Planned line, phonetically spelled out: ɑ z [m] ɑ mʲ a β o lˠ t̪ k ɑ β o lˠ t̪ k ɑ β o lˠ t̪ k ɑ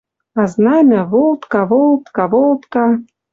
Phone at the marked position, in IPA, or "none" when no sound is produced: n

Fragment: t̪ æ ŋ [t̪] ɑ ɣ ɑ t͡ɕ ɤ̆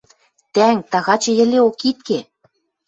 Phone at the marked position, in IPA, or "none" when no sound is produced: t̪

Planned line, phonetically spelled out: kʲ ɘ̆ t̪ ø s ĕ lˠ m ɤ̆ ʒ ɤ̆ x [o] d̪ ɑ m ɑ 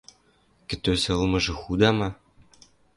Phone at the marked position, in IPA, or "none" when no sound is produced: u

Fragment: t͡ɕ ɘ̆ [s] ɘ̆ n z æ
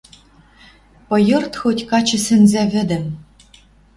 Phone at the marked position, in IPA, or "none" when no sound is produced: s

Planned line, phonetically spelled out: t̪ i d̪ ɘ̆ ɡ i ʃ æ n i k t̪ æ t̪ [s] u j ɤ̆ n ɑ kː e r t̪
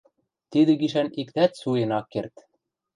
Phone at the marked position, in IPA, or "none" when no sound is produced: s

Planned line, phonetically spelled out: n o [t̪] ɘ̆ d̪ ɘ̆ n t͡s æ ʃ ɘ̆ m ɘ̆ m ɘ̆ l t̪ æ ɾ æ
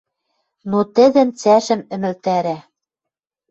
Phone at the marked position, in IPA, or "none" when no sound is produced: t̪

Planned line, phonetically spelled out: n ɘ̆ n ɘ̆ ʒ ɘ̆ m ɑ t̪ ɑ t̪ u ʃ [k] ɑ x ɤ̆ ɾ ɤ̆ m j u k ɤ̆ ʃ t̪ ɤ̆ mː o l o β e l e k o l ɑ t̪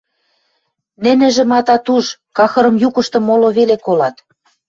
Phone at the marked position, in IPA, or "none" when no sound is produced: k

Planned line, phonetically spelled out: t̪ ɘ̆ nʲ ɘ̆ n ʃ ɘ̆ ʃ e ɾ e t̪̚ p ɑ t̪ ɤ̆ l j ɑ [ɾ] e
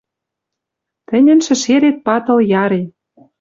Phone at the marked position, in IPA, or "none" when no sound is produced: ɾ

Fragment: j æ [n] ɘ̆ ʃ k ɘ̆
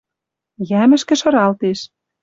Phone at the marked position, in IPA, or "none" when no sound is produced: m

